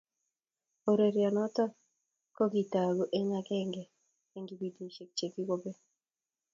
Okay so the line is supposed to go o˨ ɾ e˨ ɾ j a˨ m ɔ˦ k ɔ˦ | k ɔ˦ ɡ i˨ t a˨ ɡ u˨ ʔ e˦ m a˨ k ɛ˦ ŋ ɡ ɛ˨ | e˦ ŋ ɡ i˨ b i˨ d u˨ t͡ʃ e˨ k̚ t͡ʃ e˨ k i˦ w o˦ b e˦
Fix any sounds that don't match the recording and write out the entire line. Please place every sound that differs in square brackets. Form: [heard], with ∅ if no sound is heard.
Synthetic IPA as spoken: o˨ ɾ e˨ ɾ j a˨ [n] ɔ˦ [t] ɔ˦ | k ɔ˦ ɡ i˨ t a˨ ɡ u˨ ʔ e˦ [ɲ] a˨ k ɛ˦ ŋ ɡ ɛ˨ | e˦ ŋ ɡ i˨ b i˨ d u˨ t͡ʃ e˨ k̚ t͡ʃ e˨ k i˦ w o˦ b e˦